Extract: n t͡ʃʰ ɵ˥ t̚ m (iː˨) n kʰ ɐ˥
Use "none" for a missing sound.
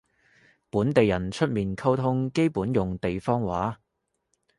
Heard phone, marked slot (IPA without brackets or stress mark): iː˨